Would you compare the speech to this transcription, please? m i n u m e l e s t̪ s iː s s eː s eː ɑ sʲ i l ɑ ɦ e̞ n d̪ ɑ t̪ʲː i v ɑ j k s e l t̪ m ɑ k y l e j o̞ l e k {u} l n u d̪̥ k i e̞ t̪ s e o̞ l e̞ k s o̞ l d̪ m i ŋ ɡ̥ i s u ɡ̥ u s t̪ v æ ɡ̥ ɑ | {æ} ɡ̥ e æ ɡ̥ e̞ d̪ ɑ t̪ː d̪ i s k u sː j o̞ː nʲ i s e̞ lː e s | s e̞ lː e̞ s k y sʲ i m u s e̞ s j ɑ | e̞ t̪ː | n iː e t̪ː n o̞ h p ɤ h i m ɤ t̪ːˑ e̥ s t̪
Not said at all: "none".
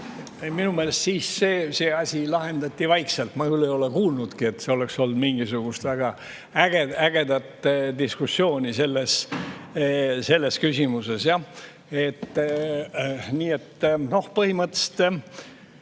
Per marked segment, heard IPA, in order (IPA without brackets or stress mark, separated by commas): uː, æ